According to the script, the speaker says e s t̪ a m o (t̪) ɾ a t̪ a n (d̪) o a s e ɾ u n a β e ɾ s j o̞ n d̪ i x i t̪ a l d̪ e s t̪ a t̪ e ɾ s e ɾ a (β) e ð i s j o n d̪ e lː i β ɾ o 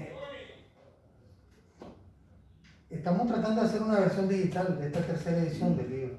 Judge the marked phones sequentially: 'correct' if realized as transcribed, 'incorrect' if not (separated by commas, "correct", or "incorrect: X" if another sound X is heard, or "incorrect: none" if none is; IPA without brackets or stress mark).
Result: correct, correct, incorrect: none